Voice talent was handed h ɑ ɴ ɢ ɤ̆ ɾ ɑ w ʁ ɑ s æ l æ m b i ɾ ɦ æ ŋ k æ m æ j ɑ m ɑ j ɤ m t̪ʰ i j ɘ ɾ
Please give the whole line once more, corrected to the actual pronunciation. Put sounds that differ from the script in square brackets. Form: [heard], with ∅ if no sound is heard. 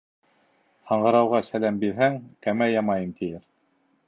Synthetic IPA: h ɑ ɴ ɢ ɤ̆ ɾ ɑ w ʁ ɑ s æ l æ m b i ɾ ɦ æ ŋ k æ m æ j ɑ m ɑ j ɤ m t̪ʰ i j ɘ ɾ